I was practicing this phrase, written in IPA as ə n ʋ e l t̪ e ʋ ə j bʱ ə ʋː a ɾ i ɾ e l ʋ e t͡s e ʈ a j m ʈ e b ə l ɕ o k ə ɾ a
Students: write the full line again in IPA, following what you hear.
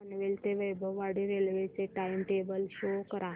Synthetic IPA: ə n ʋ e l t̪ e ʋ ə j bʱ ə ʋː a ɽ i ɾ e l ʋ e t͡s e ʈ a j m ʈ e b ə l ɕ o k ə ɾ a